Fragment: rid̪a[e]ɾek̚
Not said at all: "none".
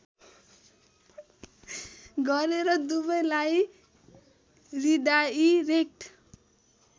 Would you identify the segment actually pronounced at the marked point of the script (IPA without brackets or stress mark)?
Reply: i